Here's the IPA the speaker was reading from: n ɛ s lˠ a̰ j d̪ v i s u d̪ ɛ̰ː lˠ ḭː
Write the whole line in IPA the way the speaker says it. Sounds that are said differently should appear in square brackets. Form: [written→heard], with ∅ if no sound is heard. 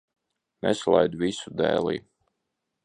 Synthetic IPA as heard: n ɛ s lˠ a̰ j d̪ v i s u d̪ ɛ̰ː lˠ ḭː

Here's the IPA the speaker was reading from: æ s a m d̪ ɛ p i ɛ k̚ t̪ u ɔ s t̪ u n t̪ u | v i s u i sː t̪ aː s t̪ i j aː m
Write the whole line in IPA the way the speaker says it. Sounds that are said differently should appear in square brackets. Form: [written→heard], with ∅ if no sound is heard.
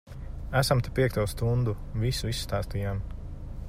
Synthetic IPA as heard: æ s a m [d̪→t̪] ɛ p i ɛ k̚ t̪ u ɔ s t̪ u n [t̪→d̪] u | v i s u i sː t̪ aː s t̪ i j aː m

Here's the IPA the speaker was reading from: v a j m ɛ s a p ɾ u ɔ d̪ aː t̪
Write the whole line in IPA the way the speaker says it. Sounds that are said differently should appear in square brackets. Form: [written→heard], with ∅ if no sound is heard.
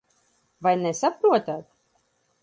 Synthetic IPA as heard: v a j [m→n] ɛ s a p ɾ u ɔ [d̪→t̪] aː t̪

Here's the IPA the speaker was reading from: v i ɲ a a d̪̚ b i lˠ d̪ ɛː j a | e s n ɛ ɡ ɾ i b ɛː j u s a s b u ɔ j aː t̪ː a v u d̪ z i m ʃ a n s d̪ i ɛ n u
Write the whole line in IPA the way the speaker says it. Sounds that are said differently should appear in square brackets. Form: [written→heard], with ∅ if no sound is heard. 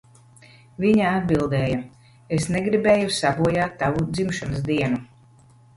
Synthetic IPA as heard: v i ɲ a a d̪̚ b i lˠ d̪ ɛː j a | e s n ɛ ɡ ɾ i b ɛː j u s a [s→∅] b u ɔ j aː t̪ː a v u d̪ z i m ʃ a n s d̪ i ɛ n u

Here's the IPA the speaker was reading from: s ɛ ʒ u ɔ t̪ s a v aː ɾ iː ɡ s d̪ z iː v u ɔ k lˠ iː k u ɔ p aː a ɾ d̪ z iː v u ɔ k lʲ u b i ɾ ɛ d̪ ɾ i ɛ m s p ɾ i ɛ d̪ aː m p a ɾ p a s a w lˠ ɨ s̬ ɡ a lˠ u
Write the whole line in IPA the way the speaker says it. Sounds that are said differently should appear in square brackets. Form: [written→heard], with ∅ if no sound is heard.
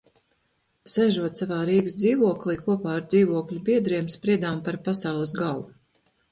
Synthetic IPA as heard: s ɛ ʒ u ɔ t̪ s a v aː ɾ iː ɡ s d̪ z iː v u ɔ k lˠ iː k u ɔ p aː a ɾ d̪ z iː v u ɔ k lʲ u b i [ɾ→∅] ɛ d̪ ɾ i ɛ m s p ɾ i ɛ d̪ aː m p a ɾ p a s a w lˠ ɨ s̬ ɡ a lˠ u

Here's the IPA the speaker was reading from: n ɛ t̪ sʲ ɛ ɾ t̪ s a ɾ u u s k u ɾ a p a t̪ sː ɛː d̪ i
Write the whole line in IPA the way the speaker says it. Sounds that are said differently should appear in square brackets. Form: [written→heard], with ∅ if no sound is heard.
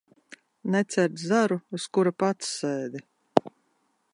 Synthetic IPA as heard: n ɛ t̪ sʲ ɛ ɾ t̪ [s→z] a ɾ u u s k u ɾ a p a t̪ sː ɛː d̪ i

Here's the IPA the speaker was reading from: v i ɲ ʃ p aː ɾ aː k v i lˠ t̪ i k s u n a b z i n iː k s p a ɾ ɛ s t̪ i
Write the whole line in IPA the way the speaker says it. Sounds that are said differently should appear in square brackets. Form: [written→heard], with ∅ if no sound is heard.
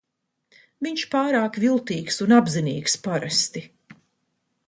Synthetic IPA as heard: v i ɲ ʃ p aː ɾ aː k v i lˠ t̪ [i→iː] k s u n a b z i n iː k s p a ɾ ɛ s t̪ i

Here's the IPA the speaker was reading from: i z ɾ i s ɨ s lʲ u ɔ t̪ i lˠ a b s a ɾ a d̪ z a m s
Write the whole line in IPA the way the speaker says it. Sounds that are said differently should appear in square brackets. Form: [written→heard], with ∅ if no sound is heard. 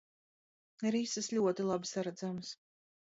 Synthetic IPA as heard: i [z→∅] ɾ i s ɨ s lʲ u ɔ t̪ i lˠ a b s a ɾ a d̪ z a m s

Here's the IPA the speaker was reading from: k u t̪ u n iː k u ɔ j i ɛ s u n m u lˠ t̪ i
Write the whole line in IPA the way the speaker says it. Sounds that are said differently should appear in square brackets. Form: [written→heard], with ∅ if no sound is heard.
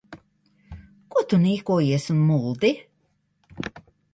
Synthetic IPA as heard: k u t̪ u n iː k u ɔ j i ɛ s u n m u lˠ [t̪→d̪] i

